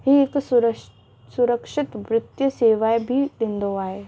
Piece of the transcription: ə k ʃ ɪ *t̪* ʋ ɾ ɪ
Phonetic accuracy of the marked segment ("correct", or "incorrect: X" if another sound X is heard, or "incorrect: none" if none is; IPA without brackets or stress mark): correct